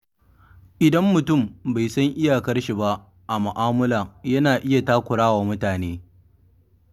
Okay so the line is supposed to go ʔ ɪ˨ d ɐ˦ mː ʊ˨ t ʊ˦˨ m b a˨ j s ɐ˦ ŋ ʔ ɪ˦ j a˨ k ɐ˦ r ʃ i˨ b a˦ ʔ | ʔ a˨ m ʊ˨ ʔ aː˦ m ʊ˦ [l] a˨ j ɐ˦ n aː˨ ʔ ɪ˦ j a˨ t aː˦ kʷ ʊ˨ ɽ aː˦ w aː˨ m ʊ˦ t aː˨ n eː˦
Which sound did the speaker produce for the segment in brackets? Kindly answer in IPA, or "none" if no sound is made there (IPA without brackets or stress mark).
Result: l